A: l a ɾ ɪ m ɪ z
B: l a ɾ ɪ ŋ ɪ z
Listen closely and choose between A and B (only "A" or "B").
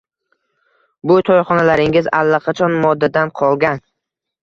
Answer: B